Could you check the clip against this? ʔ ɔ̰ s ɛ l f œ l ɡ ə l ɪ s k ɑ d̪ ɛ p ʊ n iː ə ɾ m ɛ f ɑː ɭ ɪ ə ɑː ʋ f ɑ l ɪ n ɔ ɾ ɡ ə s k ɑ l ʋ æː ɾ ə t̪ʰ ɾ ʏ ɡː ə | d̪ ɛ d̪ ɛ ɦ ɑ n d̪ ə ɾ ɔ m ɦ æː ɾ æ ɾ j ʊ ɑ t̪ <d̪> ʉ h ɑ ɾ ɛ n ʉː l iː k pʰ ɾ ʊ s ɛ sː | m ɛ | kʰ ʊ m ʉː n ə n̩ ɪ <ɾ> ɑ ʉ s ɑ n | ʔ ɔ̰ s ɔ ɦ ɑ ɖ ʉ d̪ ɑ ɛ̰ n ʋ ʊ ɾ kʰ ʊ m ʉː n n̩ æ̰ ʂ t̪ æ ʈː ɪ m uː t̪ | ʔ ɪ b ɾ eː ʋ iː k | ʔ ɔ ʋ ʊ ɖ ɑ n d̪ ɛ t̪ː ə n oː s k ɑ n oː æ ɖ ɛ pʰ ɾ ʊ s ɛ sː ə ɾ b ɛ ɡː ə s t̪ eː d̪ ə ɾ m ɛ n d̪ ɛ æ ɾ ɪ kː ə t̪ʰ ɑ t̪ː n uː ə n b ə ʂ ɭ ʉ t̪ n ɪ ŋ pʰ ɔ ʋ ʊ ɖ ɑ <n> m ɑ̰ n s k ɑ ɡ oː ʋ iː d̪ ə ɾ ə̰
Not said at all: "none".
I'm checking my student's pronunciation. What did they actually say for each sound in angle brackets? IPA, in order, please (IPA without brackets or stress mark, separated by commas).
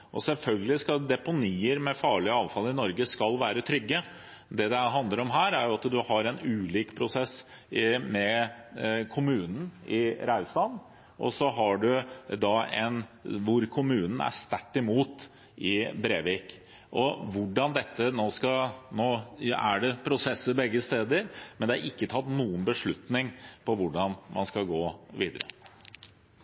d̪, ɾ, n